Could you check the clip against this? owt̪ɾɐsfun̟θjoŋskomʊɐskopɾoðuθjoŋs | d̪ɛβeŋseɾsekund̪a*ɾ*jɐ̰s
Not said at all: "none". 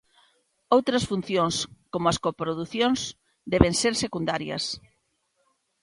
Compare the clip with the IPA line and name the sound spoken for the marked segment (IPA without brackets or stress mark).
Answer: ɾ